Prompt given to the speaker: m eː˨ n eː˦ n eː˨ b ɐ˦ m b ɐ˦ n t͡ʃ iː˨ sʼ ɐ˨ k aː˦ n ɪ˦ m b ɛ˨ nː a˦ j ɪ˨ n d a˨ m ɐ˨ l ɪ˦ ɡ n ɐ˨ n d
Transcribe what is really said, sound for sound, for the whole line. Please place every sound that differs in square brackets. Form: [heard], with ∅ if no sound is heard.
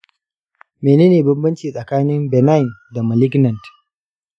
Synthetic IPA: m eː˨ n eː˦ n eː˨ b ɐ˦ m b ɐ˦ n t͡ʃ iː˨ sʼ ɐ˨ k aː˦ n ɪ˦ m b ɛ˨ [n] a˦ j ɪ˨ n d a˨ m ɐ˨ l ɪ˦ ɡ n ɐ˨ n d